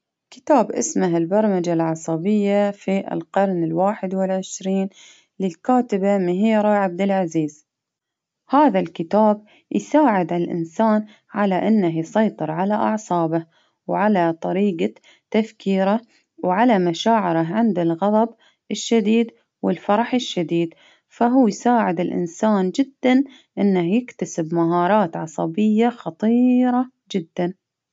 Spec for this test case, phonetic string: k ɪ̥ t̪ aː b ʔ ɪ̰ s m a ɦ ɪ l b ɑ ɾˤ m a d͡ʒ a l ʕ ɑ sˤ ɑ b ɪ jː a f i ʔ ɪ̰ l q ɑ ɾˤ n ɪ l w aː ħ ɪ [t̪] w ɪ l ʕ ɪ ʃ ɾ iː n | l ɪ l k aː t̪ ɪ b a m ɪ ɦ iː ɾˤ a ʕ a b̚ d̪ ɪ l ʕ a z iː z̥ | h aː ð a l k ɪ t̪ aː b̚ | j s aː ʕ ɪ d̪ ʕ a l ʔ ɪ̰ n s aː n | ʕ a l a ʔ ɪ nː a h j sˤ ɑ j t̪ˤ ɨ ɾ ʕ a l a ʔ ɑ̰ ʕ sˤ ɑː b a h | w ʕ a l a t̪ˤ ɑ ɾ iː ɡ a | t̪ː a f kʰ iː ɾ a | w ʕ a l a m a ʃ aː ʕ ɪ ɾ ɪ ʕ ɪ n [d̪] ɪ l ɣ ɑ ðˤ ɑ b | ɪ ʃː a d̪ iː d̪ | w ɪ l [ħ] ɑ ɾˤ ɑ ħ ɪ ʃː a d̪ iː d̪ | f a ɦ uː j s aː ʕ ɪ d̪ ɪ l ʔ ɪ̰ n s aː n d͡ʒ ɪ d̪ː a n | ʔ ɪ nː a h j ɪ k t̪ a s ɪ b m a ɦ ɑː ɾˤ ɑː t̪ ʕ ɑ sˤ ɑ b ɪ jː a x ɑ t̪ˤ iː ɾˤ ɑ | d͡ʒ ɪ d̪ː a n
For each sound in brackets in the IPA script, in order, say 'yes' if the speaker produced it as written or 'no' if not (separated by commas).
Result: no, yes, no